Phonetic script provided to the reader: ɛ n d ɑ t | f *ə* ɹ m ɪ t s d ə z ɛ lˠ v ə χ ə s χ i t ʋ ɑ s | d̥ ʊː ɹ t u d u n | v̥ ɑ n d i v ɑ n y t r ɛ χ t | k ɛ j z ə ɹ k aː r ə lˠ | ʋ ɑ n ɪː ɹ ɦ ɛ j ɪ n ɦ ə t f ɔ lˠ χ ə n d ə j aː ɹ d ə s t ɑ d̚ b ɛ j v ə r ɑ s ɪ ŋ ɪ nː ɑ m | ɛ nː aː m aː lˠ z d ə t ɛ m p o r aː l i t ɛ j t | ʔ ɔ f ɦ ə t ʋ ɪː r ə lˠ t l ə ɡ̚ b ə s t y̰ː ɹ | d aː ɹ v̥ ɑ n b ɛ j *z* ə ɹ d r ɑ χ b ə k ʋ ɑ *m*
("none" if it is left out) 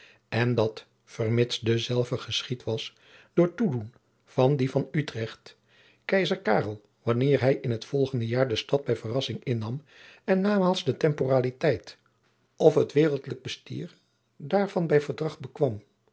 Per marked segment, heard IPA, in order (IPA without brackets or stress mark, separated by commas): ə, v, m